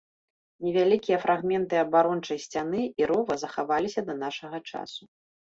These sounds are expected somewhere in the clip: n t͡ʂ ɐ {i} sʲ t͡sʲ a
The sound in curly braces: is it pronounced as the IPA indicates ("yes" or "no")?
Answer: no